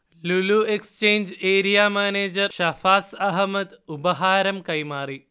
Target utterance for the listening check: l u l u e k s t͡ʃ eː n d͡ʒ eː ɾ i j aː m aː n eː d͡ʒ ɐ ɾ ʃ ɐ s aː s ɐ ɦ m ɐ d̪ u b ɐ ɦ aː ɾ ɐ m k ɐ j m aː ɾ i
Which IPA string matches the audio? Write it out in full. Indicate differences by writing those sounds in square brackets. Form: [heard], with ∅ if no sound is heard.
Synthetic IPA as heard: l u l u e k s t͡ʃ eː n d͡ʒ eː ɾ i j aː m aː n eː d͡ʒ ɐ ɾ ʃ ɐ [f] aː s ɐ ɦ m ɐ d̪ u b ɐ ɦ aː ɾ ɐ m k ɐ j m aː ɾ i